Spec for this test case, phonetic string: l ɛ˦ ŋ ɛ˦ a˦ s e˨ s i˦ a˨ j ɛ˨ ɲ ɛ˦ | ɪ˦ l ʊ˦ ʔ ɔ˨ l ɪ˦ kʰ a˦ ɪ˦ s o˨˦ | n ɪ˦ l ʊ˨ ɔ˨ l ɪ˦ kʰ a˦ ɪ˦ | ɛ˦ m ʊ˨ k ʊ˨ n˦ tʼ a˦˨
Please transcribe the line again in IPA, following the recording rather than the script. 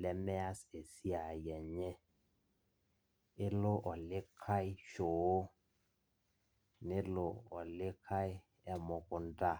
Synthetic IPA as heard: l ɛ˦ m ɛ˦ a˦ s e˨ s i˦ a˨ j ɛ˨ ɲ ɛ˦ | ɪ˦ l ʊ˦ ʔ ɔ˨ l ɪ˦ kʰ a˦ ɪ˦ ʃ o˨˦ | n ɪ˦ l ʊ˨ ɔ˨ l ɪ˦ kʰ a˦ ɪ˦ | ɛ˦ m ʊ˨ k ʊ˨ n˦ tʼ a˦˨